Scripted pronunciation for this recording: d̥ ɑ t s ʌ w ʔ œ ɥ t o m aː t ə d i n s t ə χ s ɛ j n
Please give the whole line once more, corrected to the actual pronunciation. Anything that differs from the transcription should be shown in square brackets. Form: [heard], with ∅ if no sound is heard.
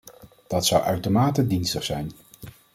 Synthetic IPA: d̥ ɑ t s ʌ w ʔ œ ɥ t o m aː t ə d i n s t ə χ s ɛ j n